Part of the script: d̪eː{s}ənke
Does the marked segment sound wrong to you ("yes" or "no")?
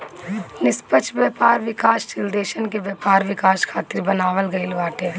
yes